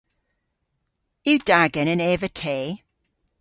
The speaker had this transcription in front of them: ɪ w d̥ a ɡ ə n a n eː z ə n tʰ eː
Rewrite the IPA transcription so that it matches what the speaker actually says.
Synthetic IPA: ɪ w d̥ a ɡ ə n ə n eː v ə tʰ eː